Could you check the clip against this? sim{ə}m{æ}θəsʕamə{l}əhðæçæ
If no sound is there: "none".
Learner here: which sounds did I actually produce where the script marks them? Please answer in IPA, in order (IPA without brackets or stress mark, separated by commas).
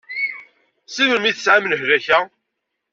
ə, i, l